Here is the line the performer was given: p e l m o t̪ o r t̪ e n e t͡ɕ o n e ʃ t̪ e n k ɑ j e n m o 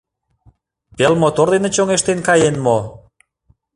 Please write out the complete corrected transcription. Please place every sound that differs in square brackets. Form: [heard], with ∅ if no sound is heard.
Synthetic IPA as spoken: p e l m o t̪ o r [d̪] e n e t͡ɕ o [ŋ] e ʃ t̪ e n k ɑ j e n m o